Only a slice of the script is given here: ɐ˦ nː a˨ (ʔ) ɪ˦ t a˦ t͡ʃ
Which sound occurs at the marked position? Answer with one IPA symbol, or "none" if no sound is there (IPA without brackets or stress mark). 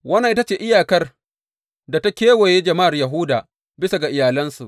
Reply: ʔ